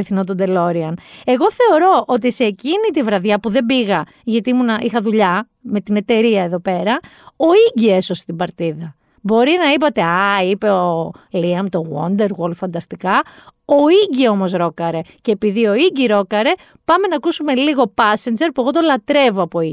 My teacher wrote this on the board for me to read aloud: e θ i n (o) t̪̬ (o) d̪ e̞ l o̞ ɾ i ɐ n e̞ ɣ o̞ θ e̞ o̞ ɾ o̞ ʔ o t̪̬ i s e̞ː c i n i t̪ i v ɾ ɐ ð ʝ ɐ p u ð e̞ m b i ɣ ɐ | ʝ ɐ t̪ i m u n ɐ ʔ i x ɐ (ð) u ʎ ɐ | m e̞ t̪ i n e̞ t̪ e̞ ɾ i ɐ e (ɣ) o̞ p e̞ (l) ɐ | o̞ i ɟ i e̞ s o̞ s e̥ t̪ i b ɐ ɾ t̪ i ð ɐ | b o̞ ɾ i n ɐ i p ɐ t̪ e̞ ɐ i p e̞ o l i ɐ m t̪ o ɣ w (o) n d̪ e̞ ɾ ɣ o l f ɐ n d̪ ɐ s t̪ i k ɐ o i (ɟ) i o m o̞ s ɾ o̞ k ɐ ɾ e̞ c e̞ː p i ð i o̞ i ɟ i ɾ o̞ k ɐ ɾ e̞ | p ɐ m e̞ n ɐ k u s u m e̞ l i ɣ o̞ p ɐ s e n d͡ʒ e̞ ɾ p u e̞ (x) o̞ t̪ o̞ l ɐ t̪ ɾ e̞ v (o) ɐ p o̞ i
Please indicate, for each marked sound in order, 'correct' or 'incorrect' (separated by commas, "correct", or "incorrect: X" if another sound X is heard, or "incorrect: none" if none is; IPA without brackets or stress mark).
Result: correct, correct, correct, incorrect: ð, incorrect: ɾ, correct, correct, incorrect: ɣ, correct